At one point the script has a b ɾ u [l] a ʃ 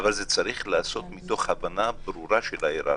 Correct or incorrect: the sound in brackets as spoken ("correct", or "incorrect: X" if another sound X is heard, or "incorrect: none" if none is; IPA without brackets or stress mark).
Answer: incorrect: ɾ